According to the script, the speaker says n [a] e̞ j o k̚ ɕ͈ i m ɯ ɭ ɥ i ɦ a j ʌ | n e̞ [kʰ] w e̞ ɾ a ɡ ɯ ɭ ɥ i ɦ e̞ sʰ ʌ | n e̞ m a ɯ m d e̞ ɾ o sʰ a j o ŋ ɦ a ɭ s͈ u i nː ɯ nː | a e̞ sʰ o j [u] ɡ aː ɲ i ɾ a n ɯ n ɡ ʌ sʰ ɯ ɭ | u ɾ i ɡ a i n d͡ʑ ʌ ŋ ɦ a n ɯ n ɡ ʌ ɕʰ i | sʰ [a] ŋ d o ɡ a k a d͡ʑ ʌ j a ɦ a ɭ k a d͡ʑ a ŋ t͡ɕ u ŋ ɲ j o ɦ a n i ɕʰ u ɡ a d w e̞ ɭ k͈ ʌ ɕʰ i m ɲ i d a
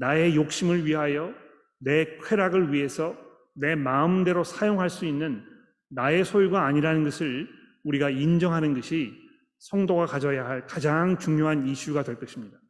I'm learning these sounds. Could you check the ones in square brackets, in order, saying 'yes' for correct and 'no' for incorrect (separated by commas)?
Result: yes, yes, yes, no